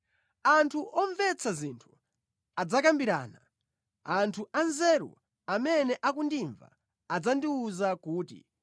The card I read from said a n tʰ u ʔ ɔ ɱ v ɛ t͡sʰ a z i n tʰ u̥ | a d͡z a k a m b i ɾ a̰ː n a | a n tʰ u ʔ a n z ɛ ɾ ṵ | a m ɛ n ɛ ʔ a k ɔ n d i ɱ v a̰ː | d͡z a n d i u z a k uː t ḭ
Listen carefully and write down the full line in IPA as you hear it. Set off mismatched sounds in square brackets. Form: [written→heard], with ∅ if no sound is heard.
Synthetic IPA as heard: a n tʰ u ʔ ɔ ɱ v ɛ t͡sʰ a z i n tʰ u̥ | a d͡z a k a m b i ɾ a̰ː n a | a n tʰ u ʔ a n z ɛ ɾ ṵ | a m ɛ n ɛ ʔ a k [ɔ→u] n d i ɱ v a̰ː | d͡z a n d i u z a k uː t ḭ